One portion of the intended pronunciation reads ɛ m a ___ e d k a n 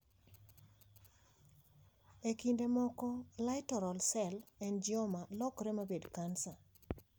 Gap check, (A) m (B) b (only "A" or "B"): B